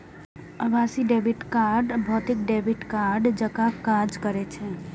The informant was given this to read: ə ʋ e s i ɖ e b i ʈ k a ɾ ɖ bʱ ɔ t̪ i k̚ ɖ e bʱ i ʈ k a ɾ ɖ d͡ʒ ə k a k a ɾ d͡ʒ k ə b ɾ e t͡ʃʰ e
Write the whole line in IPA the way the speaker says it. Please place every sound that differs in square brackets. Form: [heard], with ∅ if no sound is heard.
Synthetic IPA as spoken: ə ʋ [a] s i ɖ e b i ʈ k a ɾ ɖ bʱ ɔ t̪ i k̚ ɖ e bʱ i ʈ k a ɾ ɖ d͡ʒ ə k a k a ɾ d͡ʒ k ə [∅] ɾ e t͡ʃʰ e